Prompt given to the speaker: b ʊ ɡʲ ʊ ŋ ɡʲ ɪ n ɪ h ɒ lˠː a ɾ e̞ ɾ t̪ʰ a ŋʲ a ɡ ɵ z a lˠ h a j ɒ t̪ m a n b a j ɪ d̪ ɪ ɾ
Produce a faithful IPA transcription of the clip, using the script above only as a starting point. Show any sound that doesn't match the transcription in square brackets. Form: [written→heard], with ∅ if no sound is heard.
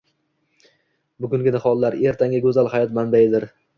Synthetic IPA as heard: b ʊ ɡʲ ʊ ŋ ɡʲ ɪ n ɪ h ɒ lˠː a ɾ e̞ ɾ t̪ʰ a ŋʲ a ɡ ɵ z a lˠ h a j ɒ t̪ m a n b a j ɪ d̪ ɪ ɾ

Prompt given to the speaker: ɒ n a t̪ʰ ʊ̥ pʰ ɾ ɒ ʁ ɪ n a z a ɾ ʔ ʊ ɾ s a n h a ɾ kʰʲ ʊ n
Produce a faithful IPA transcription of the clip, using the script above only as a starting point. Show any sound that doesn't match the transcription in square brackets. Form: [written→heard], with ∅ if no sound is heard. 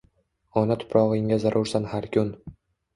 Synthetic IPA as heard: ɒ n a t̪ʰ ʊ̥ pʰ ɾ ɒ ʁ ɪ [n→ŋ] a z a ɾ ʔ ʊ ɾ s a n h a ɾ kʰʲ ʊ n

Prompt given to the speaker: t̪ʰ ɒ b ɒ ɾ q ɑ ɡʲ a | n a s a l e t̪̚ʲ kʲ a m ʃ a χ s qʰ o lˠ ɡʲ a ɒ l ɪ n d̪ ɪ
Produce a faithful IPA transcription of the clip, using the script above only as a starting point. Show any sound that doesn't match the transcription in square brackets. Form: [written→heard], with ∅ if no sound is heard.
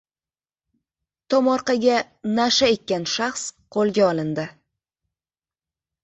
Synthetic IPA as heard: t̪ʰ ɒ [b→m] ɒ ɾ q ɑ ɡʲ a | n a [s→ʃ] a [l→∅] e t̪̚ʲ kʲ a [m→n] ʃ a χ s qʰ o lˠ ɡʲ a ɒ l ɪ n d̪ ɪ

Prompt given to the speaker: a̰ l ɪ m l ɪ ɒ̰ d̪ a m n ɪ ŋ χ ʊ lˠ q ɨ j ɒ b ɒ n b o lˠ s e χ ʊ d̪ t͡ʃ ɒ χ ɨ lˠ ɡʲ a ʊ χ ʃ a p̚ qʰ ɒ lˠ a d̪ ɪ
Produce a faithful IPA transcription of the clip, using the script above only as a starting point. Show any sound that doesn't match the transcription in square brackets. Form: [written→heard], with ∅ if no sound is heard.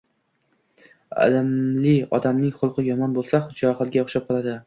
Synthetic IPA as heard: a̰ l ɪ m l ɪ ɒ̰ d̪ a m n ɪ ŋ χ ʊ lˠ q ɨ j ɒ [b→m] ɒ n b o lˠ s [e→a] χ ʊ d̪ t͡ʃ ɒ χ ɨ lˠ ɡʲ a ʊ χ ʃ a p̚ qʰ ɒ lˠ a d̪ ɪ

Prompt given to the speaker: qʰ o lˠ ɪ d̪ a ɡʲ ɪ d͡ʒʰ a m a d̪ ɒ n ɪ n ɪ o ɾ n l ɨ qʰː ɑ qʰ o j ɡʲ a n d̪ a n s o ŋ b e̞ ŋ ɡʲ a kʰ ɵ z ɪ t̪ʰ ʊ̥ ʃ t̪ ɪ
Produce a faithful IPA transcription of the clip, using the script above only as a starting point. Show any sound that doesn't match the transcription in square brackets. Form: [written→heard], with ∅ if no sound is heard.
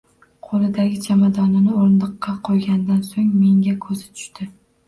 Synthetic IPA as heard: qʰ o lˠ ɪ d̪ a ɡʲ ɪ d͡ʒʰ a m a d̪ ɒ n ɪ n ɪ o ɾ n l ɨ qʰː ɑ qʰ o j ɡʲ a n d̪ a n s o ŋ [b→m] e̞ ŋ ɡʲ a kʰ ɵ z ɪ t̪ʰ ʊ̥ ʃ t̪ ɪ

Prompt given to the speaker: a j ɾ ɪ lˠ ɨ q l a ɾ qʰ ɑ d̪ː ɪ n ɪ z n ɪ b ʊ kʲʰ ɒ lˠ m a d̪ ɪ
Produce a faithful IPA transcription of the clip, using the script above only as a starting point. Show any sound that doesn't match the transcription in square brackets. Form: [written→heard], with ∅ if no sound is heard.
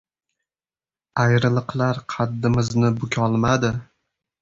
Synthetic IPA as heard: a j ɾ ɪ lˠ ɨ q l a ɾ qʰ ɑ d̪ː ɪ [n→m] ɪ z n ɪ b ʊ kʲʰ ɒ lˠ m a d̪ ɪ

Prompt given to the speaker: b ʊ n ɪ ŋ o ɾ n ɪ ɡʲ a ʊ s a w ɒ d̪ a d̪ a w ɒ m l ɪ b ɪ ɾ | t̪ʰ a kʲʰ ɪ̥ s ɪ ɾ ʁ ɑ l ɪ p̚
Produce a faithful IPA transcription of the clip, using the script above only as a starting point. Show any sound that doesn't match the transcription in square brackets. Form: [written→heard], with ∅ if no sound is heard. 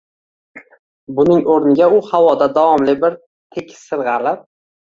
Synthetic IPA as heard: b ʊ n ɪ ŋ o ɾ n ɪ ɡʲ a ʊ [s→h] a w ɒ d̪ a d̪ a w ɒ m l ɪ b ɪ ɾ | t̪ʰ [a→e] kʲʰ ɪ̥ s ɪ ɾ ʁ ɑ l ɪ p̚

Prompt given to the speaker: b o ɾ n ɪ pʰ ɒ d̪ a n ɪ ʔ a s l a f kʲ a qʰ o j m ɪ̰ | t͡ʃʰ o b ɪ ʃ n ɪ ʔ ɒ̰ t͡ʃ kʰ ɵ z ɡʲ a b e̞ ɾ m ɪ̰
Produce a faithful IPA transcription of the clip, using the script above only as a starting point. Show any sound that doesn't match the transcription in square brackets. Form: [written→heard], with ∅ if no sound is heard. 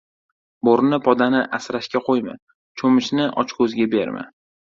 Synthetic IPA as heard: b o ɾ n ɪ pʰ ɒ d̪ a n ɪ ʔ a s [l→ɾ] a [f→ʃ] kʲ a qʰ o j m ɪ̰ | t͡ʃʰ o [b→m] ɪ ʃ n ɪ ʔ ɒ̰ t͡ʃ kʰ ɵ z ɡʲ a b e̞ ɾ m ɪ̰

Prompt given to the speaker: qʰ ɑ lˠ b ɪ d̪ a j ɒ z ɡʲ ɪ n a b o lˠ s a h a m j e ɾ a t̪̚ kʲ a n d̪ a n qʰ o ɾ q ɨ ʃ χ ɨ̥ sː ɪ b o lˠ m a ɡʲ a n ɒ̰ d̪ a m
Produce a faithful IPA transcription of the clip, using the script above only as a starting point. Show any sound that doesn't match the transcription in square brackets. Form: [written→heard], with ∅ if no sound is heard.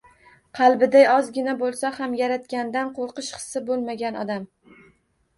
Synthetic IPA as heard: qʰ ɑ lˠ b ɪ d̪ a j ɒ z ɡʲ ɪ n a b o lˠ s a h a m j [e→a] ɾ a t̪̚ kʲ a n d̪ a n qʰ o ɾ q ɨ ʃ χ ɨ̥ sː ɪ b o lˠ m a ɡʲ a n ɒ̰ d̪ a m

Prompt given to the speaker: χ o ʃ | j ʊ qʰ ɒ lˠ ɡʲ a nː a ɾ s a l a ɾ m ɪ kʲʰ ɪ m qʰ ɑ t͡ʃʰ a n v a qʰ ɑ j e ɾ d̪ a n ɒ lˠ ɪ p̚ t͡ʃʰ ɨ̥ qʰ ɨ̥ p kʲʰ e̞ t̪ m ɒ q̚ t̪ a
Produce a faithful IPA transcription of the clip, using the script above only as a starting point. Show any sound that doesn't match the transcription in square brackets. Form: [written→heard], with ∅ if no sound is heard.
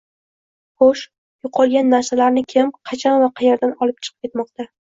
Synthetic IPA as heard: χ o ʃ | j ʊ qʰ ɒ lˠ ɡʲ a nː a ɾ s a l a ɾ [m→n] ɪ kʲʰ ɪ m qʰ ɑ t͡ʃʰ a n v a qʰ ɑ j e ɾ d̪ a n ɒ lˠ ɪ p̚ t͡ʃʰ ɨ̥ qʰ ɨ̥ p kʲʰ e̞ t̪ m ɒ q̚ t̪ a

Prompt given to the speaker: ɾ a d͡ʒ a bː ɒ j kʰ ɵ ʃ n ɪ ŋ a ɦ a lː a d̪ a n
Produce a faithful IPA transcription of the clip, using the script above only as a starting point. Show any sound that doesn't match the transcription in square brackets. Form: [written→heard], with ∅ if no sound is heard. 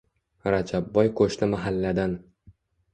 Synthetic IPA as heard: ɾ a d͡ʒ a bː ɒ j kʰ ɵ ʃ n ɪ [ŋ→m] a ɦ a lː a d̪ a n

